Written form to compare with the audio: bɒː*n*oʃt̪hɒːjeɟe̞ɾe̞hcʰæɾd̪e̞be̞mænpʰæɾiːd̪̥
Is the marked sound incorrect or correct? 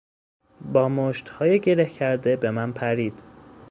incorrect: m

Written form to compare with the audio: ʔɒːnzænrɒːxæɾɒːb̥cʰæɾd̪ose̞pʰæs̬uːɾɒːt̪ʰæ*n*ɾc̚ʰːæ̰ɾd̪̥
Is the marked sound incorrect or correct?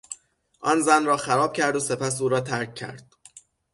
incorrect: none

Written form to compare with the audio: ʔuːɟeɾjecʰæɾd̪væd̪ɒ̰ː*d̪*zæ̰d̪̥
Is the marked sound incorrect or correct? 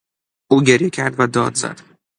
correct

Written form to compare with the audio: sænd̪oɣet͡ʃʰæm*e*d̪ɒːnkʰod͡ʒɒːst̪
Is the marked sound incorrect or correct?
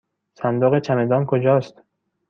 correct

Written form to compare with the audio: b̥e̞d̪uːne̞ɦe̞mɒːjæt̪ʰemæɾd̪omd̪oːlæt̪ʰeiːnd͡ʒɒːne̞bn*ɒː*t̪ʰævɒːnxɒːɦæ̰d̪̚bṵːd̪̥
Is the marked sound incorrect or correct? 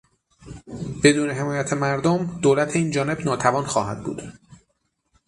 correct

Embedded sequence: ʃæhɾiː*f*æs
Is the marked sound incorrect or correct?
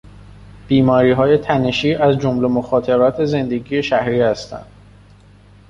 incorrect: h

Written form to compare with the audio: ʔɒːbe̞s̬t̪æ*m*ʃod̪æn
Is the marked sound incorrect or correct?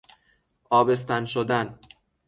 incorrect: n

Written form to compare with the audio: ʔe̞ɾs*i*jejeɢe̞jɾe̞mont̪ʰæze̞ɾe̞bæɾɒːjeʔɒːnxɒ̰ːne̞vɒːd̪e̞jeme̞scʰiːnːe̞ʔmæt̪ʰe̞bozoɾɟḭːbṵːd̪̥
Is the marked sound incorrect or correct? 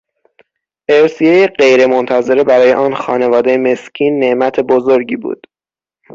correct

